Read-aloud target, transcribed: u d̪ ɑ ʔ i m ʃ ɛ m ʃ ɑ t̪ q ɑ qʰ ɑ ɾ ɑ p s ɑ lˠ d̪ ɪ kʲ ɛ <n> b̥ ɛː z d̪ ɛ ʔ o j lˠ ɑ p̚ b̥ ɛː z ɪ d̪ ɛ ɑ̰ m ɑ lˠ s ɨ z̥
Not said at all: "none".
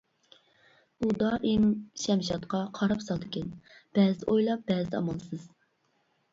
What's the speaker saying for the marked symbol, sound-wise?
n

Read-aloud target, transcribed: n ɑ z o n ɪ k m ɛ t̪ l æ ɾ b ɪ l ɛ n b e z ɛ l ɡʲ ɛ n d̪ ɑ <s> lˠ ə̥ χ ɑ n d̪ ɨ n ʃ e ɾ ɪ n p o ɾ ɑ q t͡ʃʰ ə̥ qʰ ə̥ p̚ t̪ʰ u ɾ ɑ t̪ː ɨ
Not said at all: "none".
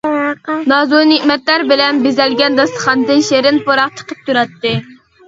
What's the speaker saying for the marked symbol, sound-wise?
s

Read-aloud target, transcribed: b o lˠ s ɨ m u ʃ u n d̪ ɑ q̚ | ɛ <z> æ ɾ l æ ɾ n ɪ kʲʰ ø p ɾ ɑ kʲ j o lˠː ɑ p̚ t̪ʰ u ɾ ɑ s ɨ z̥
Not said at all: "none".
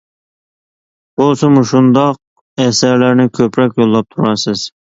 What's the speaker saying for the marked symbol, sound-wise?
s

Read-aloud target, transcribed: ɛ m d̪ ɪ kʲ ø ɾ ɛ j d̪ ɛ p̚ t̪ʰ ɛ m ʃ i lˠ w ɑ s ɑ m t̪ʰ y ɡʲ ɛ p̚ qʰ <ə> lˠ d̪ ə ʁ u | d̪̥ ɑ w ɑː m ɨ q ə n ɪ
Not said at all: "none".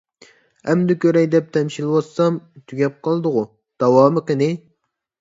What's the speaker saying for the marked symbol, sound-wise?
ɑ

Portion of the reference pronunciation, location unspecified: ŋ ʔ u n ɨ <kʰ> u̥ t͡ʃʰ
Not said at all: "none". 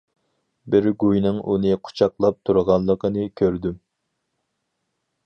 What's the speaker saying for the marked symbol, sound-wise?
qʰ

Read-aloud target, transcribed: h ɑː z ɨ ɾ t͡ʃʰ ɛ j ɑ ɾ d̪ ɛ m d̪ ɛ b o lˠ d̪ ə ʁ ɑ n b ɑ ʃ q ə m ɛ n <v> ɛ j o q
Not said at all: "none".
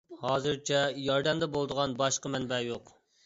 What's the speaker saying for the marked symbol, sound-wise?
b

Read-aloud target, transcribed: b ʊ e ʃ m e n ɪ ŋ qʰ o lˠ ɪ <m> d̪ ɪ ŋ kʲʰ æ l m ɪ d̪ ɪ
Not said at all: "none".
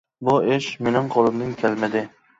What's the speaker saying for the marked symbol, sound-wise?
m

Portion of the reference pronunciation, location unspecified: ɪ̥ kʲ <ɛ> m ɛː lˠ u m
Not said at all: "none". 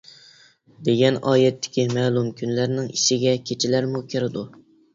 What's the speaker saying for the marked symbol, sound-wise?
i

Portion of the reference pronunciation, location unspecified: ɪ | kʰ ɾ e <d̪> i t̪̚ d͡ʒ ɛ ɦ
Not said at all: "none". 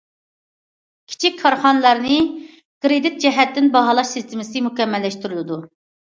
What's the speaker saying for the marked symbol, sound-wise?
d̪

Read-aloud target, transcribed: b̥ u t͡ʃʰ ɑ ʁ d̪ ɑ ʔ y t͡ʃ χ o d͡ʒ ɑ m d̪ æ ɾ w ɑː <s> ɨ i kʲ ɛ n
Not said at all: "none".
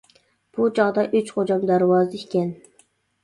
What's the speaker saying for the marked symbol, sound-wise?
z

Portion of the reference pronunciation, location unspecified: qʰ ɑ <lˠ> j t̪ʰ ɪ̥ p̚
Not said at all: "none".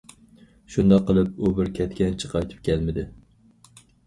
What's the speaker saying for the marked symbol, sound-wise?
none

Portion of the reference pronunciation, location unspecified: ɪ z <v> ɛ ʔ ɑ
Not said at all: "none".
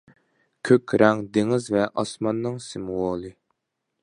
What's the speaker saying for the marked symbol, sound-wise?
v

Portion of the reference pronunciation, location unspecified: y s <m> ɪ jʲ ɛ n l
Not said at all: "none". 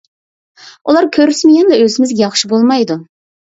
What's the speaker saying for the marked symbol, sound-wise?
m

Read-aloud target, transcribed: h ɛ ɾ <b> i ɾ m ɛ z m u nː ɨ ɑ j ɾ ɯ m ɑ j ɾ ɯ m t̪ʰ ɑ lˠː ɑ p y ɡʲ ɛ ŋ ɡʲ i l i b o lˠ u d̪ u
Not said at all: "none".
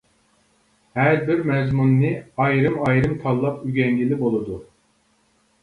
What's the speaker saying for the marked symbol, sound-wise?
b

